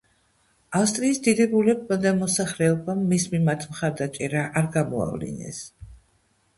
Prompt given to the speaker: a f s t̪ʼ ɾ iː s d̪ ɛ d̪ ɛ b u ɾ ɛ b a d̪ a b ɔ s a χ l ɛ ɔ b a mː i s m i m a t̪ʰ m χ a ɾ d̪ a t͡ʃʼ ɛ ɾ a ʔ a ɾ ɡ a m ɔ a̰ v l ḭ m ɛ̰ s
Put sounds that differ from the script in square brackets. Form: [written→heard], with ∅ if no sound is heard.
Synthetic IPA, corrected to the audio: a f s t̪ʼ ɾ iː s d̪ [ɛ→i] d̪ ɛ b u [ɾ→l] ɛ b a d̪ a [b→m] ɔ s a χ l ɛ ɔ b a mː i s m i m a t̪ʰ m χ a ɾ d̪ a t͡ʃʼ ɛ ɾ a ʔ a ɾ ɡ a m ɔ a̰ v l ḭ [m→n] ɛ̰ s

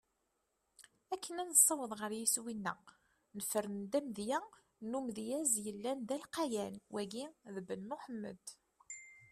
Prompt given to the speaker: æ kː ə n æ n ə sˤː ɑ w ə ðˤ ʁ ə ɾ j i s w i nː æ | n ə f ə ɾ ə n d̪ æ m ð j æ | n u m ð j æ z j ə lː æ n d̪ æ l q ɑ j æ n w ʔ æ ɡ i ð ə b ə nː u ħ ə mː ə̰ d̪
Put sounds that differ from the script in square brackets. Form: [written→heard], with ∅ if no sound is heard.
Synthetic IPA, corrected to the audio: æ kː ə n æ n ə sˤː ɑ w ə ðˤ ʁ ə ɾ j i s w i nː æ | n ə f ə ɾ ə n d̪ æ m ð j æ | n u m ð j æ z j ə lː æ n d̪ æ l q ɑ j æ n w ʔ æ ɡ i ð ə b ə nː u ħ ə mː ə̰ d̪

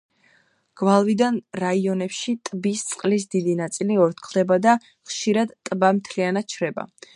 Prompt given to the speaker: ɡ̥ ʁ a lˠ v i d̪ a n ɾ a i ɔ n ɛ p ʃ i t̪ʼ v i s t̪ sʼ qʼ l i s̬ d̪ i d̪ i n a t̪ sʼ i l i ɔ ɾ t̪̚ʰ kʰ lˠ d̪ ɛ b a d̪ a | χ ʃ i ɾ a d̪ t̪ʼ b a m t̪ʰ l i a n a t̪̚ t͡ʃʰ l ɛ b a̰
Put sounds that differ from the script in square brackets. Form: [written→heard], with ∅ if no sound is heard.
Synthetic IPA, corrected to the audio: ɡ̥ [ʁ→v] a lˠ v i d̪ a n ɾ a i ɔ n ɛ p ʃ i t̪ʼ [v→b] i s t̪ sʼ qʼ l i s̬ d̪ i d̪ i n a t̪ sʼ i l i ɔ ɾ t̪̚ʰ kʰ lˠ d̪ ɛ b a d̪ a | χ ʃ i ɾ a d̪ t̪ʼ b a m t̪ʰ l i a n a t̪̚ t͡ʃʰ [l→ɾ] ɛ b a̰

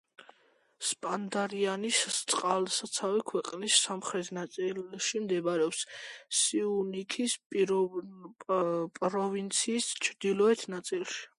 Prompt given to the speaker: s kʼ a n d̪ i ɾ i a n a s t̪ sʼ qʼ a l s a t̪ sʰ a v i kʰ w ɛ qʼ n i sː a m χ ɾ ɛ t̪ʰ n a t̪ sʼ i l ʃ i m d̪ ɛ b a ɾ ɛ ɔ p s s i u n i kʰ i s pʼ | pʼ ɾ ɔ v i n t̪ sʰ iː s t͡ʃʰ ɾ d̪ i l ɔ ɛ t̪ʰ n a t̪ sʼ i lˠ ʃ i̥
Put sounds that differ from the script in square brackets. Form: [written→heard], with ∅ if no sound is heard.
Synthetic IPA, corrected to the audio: s [kʼ→pʼ] a n d̪ [i→a] ɾ i a n [a→i] s t̪ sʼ qʼ a l s a t̪ sʰ a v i kʰ w ɛ qʼ n i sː a m χ ɾ ɛ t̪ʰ n a t̪ sʼ i l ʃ i m d̪ ɛ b a ɾ ɛ ɔ p s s i u n i kʰ i s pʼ | pʼ ɾ ɔ v i n t̪ sʰ iː s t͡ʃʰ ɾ d̪ i l ɔ ɛ t̪ʰ n a t̪ sʼ i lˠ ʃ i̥

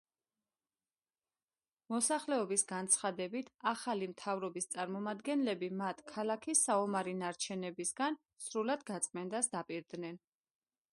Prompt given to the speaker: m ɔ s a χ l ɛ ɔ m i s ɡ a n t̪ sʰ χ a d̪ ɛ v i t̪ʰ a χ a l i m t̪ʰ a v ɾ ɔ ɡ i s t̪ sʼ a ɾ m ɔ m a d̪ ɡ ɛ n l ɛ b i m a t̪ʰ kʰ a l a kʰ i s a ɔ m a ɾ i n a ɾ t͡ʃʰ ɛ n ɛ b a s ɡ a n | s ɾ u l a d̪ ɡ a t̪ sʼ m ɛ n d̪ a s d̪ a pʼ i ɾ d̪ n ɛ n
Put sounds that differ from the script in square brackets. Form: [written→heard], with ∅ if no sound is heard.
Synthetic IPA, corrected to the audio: m ɔ s a χ l ɛ ɔ [m→b] i s ɡ a n t̪ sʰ χ a d̪ ɛ [v→b] i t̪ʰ a χ a l i m t̪ʰ a v ɾ ɔ [ɡ→b] i s t̪ sʼ a ɾ m ɔ m a d̪ ɡ ɛ n l ɛ b i m a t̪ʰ kʰ a l a kʰ i s a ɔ m a ɾ i n a ɾ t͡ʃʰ ɛ n ɛ b [a→i] s ɡ a n | s ɾ u l a d̪ ɡ a t̪ sʼ m ɛ n d̪ a s d̪ a pʼ i ɾ d̪ n ɛ n

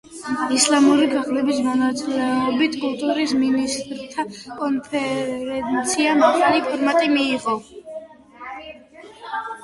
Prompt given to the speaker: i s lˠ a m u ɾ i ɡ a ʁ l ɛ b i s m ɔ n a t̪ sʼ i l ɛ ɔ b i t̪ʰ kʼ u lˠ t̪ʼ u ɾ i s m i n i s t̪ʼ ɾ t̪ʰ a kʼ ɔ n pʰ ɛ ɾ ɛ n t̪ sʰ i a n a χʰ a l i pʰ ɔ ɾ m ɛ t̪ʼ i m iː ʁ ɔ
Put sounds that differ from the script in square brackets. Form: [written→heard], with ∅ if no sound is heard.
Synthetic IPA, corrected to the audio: i s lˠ a m u ɾ i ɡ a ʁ l ɛ b i s m ɔ n a t̪ sʼ i l ɛ ɔ b i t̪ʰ kʼ u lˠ t̪ʼ u ɾ i s m i n i s t̪ʼ ɾ t̪ʰ a kʼ ɔ n pʰ ɛ ɾ ɛ n t̪ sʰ i a [n→m] a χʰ a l i pʰ ɔ ɾ m [ɛ→a] t̪ʼ i m iː ʁ ɔ

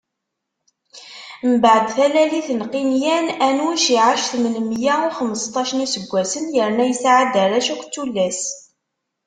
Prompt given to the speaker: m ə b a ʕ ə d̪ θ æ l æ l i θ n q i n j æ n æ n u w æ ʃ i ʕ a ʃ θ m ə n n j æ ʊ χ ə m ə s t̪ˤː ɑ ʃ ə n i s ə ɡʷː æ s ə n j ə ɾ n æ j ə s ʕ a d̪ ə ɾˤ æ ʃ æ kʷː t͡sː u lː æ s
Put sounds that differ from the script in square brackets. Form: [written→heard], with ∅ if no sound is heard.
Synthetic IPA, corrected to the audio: m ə b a ʕ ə d̪ θ æ l æ l i θ n q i n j æ n æ n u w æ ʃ i ʕ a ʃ θ m ə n [n→m] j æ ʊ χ ə m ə s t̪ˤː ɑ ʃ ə n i s ə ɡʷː æ s ə n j ə ɾ n æ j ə s ʕ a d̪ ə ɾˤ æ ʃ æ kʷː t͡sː u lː æ s

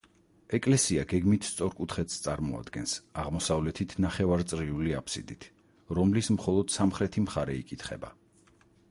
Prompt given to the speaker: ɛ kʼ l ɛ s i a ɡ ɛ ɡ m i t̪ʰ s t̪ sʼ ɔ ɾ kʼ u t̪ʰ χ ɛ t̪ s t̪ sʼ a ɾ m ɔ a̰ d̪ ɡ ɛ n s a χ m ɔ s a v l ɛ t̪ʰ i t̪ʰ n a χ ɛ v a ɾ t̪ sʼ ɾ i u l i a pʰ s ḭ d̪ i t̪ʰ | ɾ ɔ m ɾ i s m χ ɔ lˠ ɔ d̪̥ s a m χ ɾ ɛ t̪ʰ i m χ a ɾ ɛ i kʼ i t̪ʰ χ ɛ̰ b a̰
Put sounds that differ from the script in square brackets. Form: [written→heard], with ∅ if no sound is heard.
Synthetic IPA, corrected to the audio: ɛ kʼ l ɛ s i a ɡ ɛ ɡ m i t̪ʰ s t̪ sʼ ɔ ɾ kʼ u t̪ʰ χ ɛ t̪ s t̪ sʼ a ɾ m ɔ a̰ d̪ ɡ ɛ n s a [χ→ʁ] m ɔ s a v l ɛ t̪ʰ i t̪ʰ n a χ ɛ v a ɾ t̪ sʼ ɾ i u l i a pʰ s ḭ d̪ i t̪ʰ | ɾ ɔ m [ɾ→l] i s m χ ɔ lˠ ɔ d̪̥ s a m χ ɾ ɛ t̪ʰ i m χ a ɾ ɛ i kʼ i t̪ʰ χ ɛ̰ b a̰

